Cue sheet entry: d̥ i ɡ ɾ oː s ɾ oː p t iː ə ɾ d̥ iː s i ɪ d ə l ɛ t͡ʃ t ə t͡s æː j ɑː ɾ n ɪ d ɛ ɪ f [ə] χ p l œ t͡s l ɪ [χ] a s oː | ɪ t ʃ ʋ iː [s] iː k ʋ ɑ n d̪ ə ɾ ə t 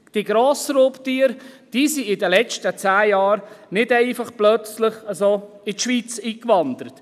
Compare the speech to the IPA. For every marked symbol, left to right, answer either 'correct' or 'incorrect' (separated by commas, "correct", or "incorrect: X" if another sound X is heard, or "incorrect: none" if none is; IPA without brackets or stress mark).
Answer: incorrect: ɑ, correct, incorrect: t͡s